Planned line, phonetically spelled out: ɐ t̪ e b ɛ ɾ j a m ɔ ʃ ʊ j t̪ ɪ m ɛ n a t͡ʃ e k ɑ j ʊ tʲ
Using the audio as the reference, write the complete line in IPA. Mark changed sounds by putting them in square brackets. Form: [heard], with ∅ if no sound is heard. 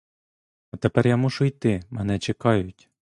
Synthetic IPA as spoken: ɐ t̪ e [p] ɛ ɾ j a m [u] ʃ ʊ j t̪ ɪ m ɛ n [ɛ] t͡ʃ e k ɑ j ʊ tʲ

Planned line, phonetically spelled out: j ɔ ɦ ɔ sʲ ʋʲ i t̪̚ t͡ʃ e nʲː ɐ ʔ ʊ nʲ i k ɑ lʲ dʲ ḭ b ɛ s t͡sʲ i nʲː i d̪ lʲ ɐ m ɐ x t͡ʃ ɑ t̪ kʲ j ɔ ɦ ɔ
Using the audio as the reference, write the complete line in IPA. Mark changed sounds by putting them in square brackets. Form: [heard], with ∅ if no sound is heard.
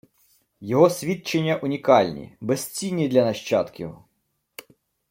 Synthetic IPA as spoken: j ɔ ɦ ɔ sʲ ʋʲ i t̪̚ t͡ʃ e nʲː ɐ ʔ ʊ nʲ i k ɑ lʲ [nʲ] ḭ b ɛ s t͡sʲ i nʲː i d̪ lʲ ɐ [n] ɐ [ʃ] t͡ʃ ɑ t̪ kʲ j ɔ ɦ ɔ

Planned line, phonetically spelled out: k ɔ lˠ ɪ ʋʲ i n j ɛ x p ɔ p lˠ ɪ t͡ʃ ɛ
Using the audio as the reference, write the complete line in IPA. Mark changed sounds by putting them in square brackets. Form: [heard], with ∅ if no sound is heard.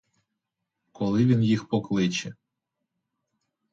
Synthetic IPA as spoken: k ɔ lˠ ɪ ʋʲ i n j [i] x p ɔ [k] lˠ ɪ t͡ʃ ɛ

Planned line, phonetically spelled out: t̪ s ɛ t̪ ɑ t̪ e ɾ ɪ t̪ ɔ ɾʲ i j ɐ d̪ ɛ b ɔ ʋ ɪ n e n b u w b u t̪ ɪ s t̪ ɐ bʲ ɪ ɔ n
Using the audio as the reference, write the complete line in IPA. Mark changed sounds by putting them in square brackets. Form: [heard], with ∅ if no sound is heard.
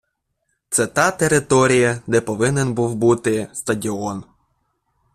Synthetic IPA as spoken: t̪ s ɛ t̪ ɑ t̪ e ɾ ɪ t̪ ɔ ɾʲ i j ɐ d̪ ɛ [p] ɔ ʋ ɪ n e n b u w b u t̪ ɪ s t̪ ɐ [dʲ] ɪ ɔ n

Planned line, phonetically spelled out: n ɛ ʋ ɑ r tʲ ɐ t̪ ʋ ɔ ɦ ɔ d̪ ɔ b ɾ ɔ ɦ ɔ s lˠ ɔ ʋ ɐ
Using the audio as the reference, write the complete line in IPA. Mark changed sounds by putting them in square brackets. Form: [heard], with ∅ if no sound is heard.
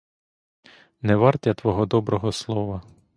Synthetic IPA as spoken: n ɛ ʋ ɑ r tʲ ɐ t̪ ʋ ɔ ɦ ɔ d̪ ɔ b ɾ ɔ ɦ ɔ s lˠ ɔ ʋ ɐ

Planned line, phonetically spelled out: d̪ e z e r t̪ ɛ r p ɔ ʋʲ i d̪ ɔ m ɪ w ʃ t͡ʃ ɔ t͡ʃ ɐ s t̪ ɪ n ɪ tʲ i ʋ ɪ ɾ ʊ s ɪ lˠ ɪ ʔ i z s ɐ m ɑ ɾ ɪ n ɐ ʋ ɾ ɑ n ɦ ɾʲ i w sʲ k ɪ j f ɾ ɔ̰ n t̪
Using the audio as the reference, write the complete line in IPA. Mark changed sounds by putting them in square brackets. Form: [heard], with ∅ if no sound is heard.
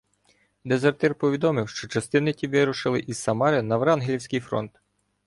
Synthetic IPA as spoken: d̪ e z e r t̪ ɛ r p ɔ ʋʲ i d̪ ɔ m ɪ w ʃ t͡ʃ ɔ t͡ʃ ɐ s t̪ ɪ n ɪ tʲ i ʋ ɪ ɾ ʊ [ʃ] ɪ lˠ ɪ ʔ i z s ɐ m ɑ ɾ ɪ n ɐ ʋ ɾ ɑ n ɦ [lʲ] i w sʲ k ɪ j f ɾ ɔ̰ n t̪

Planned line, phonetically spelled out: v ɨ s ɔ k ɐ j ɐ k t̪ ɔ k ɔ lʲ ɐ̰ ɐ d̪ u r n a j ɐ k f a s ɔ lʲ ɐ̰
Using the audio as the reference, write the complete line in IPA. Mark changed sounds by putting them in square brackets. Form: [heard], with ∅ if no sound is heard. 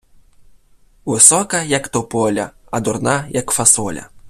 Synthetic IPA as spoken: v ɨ s ɔ k ɐ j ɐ k t̪ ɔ [p] ɔ lʲ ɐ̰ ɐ d̪ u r n a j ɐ k f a s ɔ lʲ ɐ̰

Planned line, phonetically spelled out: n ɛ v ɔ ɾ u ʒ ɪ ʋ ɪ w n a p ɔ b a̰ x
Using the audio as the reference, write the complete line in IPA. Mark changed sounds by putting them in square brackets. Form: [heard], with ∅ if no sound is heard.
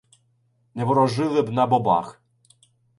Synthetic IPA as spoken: n ɛ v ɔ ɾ [ɔ] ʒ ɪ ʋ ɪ [b] n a [b] ɔ b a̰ x

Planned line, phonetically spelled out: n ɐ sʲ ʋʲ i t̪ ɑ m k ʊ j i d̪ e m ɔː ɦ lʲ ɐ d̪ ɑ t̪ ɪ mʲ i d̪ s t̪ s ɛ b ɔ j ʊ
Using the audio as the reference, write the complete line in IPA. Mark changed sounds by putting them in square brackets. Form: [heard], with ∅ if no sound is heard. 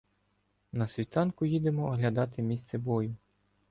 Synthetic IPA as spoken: n ɐ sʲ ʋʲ i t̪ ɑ [n] k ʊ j i d̪ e m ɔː ɦ lʲ ɐ d̪ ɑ t̪ ɪ mʲ i [∅] s t̪ s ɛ b ɔ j ʊ

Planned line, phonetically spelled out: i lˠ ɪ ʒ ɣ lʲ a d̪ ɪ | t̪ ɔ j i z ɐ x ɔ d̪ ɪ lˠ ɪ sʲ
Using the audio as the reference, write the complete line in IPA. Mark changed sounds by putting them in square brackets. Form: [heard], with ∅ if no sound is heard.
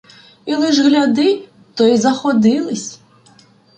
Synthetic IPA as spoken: i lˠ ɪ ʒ ɣ lʲ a d̪ ɪ | t̪ ɔ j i z ɐ x ɔ d̪ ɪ lˠ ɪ sʲ

